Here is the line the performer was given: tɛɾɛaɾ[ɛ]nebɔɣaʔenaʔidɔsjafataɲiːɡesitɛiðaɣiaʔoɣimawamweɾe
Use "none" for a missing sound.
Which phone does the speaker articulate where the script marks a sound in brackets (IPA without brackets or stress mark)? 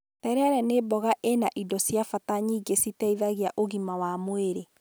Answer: ɛ